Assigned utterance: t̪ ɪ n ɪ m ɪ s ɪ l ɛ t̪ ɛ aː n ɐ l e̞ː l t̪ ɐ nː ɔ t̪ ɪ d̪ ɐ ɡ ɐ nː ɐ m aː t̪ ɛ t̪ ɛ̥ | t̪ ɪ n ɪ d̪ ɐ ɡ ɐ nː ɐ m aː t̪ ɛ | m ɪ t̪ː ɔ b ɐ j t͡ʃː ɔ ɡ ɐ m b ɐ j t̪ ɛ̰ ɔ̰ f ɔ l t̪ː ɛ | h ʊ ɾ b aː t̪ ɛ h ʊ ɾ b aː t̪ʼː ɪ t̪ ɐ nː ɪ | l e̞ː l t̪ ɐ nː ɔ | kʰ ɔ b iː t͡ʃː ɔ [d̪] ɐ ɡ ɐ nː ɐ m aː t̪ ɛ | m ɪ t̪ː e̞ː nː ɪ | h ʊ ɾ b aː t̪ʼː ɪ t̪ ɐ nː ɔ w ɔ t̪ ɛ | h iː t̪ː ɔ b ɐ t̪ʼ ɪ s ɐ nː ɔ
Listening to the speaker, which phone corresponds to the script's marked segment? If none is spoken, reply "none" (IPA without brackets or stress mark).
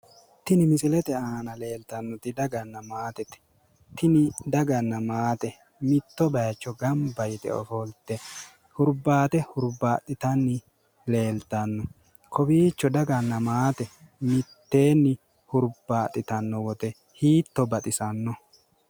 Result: d̪